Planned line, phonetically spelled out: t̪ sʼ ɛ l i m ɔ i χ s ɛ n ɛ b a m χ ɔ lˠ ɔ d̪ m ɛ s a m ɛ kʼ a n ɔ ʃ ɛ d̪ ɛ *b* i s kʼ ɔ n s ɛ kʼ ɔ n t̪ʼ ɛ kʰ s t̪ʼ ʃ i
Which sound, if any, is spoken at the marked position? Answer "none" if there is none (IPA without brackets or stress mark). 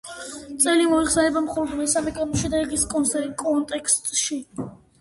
ɡ